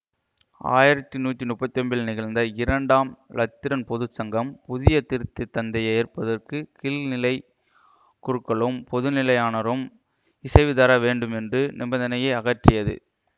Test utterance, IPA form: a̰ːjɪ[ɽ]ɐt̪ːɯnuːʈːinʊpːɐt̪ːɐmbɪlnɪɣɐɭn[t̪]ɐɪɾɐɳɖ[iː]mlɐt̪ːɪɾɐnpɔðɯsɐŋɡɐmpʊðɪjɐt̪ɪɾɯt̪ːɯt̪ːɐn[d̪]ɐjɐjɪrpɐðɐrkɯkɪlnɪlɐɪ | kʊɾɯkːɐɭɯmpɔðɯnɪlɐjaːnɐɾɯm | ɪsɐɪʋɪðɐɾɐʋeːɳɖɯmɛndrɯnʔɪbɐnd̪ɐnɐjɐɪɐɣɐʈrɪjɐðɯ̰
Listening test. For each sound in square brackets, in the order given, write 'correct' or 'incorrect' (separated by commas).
incorrect, incorrect, incorrect, correct